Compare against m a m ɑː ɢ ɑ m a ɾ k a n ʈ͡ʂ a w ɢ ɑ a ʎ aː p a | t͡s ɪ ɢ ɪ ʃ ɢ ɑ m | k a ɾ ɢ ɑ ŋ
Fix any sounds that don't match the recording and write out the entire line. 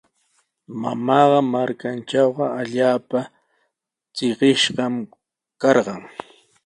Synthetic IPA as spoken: m a m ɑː ɢ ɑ m a ɾ k a n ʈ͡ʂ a w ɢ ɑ a ʎ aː p a | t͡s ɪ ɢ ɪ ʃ ɢ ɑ m | k ɑ ɾ ɢ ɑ ŋ